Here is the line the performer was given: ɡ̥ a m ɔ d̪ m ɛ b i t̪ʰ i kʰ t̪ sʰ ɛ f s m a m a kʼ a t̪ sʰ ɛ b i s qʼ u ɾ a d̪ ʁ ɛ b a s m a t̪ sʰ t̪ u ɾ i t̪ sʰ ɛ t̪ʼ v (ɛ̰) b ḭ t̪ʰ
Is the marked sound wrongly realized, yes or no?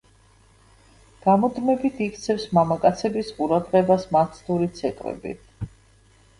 no